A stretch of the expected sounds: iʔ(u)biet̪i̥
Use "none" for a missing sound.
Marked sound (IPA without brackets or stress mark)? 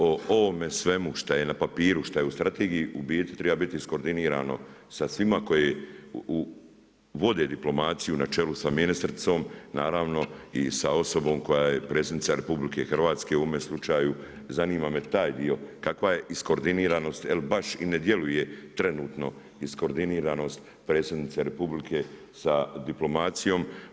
u